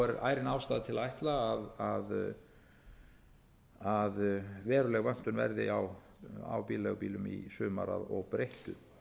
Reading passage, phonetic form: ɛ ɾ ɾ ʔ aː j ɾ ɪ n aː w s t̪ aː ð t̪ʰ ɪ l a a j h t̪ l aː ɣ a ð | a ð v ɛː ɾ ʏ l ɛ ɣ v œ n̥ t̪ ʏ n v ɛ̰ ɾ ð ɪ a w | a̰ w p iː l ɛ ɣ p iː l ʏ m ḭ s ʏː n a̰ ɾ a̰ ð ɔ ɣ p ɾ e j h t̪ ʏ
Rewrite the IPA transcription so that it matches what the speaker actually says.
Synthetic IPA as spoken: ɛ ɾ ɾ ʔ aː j ɾ ɪ n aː w s t̪ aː ð t̪ʰ ɪ l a a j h t̪ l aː ð a ð | a ð v ɛː ɾ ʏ l ɛ ɣ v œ n̥ t̪ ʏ n v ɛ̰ ɾ ð ɪ a w | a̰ w p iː l ɛ ɣ p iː l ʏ m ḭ s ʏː m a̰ ɾ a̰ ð ɔ ɣ p ɾ e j h t̪ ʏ